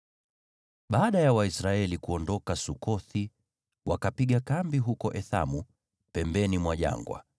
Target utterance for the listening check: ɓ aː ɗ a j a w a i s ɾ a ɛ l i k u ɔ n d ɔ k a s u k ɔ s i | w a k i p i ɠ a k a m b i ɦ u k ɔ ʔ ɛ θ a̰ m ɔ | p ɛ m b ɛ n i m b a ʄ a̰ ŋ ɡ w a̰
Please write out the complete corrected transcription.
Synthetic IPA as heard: ɓ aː ɗ a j a w a i s ɾ a ɛ l i k u ɔ n d ɔ k a s u k ɔ θ i | w a k a p i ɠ a k a m b i ɦ u k ɔ ʔ ɛ θ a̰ m u | p ɛ m b ɛ n i m w a ʄ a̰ ŋ ɡ w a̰